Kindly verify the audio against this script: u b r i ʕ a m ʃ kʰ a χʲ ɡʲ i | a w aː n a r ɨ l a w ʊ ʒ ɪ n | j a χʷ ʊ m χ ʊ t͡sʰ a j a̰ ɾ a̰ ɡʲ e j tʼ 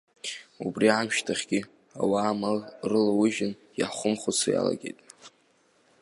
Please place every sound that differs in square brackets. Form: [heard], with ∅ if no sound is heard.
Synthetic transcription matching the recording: u b r i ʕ a m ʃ [tʰ] a χʲ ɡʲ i | a w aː [m] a r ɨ l a w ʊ ʒ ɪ n | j a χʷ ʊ m χ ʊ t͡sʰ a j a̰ [l] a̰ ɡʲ e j tʼ